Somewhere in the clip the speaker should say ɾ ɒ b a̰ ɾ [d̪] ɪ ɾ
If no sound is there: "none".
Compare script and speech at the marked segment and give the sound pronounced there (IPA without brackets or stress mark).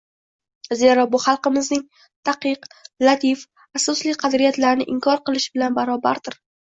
d̪